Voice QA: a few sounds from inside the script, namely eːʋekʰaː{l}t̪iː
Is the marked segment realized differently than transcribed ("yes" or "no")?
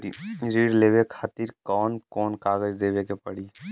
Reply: yes